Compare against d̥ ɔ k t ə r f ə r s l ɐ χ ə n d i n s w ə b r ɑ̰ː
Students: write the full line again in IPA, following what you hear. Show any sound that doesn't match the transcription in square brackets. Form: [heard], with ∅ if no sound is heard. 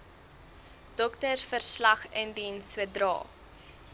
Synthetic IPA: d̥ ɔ k t ə r f ə r s l ɐ χ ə n d i n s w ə [d] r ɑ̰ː